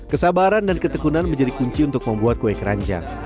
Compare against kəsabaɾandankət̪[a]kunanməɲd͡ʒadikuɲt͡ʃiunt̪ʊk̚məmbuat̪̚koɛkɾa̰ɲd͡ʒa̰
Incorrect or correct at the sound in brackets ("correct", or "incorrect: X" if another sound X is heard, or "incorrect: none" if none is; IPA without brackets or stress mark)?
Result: incorrect: ə